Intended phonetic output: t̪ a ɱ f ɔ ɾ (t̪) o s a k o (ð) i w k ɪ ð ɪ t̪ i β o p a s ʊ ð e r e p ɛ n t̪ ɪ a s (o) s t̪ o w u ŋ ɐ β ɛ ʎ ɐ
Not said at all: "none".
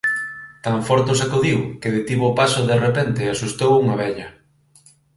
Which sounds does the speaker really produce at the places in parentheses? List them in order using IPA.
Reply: t̪, ð, u

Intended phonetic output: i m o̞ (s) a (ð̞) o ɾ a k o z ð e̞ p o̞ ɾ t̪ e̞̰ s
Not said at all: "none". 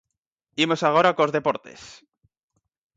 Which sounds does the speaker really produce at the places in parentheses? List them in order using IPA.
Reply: s, ɣ̞

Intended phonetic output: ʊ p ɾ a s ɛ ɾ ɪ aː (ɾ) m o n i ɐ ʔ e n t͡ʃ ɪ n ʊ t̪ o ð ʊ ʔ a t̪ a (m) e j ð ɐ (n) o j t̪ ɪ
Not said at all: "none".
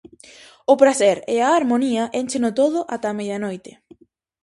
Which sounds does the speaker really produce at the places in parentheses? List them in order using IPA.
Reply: ɾ, m, n

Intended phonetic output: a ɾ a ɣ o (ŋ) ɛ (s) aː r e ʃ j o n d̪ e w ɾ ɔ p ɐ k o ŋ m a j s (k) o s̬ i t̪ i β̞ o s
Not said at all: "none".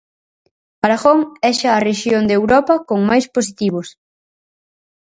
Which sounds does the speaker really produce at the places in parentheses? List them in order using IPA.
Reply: ŋ, ʃ, p

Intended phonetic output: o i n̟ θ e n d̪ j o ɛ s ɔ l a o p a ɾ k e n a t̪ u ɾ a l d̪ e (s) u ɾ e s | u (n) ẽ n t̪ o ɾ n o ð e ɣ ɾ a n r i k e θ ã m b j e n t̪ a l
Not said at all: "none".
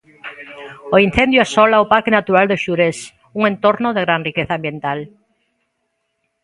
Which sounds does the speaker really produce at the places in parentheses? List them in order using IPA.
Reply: ʃ, ŋ

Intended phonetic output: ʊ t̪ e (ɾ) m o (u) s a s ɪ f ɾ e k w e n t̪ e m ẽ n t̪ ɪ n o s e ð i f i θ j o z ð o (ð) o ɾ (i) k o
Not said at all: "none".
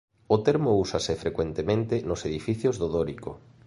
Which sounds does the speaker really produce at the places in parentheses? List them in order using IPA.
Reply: ɾ, u, ð, i

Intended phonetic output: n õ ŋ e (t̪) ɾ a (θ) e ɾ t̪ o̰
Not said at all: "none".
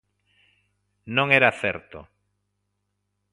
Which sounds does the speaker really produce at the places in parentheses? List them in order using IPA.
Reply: none, θ

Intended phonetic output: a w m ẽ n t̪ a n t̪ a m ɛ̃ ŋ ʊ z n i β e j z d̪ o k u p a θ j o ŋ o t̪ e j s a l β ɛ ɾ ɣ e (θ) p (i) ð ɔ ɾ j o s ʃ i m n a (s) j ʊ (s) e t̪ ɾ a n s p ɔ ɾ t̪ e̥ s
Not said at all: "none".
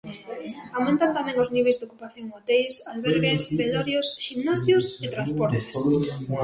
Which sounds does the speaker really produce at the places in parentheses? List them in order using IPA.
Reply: s, e, s, s

